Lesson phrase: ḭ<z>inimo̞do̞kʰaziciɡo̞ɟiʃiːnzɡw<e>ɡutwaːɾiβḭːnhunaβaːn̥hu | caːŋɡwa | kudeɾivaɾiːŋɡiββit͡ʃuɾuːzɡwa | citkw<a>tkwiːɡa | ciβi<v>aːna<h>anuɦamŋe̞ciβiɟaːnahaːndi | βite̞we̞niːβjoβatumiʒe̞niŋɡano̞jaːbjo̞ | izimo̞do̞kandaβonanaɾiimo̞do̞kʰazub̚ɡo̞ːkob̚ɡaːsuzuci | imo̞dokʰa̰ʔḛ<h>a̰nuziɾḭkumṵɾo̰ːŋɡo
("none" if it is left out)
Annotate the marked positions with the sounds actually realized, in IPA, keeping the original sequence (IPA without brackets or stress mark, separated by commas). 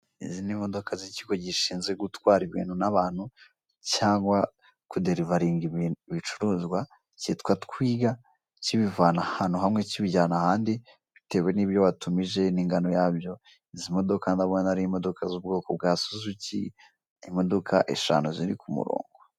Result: z, e, a, v, h, ʃ